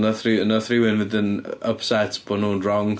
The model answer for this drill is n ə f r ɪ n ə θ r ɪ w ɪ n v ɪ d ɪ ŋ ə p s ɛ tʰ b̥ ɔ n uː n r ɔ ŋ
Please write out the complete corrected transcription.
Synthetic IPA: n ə θ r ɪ n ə θ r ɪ w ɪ n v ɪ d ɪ n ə p s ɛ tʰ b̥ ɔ n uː n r ɔ ŋ